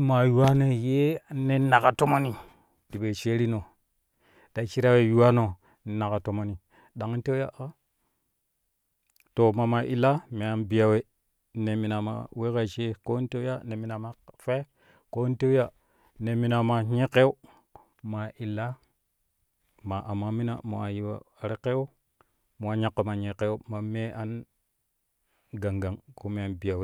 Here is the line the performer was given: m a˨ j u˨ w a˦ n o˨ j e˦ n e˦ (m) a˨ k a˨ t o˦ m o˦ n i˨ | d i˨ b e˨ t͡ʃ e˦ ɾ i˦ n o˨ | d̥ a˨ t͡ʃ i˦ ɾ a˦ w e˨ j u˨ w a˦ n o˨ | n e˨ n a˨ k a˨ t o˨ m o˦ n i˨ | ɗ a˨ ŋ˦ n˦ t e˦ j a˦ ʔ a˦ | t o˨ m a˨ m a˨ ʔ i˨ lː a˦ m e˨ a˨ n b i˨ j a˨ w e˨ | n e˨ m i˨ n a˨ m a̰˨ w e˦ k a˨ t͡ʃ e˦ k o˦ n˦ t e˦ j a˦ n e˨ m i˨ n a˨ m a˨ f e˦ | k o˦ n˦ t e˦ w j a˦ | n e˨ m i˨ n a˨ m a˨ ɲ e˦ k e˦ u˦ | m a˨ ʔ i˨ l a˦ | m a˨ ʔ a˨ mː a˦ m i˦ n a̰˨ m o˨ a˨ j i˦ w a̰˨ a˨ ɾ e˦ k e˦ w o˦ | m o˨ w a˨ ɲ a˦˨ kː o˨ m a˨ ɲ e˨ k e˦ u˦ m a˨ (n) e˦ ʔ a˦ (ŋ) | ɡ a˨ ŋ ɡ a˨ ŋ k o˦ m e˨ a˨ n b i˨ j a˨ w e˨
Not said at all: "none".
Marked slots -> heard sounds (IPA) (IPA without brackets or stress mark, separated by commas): n, m, n